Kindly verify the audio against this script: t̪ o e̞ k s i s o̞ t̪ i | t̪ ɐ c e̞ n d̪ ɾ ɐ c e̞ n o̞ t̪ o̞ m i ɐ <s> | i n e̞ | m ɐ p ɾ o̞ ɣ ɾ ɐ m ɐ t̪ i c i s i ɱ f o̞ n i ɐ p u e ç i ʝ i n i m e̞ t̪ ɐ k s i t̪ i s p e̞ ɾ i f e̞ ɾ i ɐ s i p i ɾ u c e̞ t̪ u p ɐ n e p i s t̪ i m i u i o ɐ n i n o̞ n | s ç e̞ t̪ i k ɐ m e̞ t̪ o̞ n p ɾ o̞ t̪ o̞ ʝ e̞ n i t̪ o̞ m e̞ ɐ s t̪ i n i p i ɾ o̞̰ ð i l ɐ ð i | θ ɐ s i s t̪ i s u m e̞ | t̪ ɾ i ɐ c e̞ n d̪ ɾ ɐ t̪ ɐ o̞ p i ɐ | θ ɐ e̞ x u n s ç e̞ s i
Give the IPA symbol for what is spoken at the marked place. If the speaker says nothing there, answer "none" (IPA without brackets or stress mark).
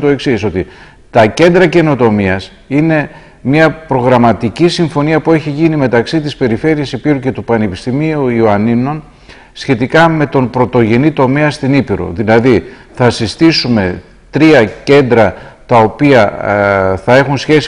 s